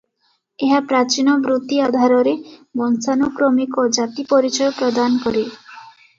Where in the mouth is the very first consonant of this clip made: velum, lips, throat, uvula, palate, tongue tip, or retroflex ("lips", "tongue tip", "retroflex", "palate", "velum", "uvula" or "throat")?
throat